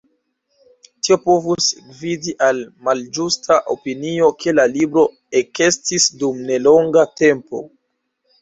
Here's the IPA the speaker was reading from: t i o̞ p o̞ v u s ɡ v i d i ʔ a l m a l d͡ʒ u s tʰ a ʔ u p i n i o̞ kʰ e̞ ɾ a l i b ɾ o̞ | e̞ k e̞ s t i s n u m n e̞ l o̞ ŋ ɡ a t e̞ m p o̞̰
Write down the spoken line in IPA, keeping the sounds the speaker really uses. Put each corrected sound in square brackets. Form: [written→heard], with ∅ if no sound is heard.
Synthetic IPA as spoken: t i o̞ p o̞ v u s ɡ v i d i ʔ a l m a l d͡ʒ u s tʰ a ʔ [u→o] p i n i o̞ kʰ e̞ [ɾ→l] a l i b ɾ o̞ | e̞ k e̞ s t i s [n→d] u m n e̞ l o̞ ŋ ɡ a t e̞ m p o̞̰